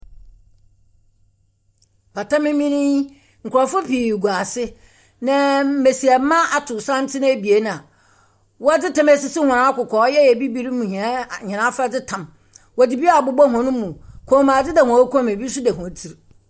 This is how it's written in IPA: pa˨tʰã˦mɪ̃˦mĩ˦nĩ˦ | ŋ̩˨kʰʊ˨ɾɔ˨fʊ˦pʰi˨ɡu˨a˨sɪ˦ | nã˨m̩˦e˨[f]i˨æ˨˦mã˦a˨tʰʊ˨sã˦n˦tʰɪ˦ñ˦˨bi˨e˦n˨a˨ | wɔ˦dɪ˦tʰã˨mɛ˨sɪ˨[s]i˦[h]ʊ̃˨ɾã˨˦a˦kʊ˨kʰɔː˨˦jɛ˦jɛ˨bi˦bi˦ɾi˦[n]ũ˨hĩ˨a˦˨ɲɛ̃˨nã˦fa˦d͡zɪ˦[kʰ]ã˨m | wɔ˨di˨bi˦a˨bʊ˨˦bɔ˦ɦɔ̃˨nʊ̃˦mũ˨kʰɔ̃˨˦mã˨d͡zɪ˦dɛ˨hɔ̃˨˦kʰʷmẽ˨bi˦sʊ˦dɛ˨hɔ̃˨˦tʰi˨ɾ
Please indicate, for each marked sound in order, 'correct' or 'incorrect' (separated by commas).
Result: incorrect, correct, correct, incorrect, incorrect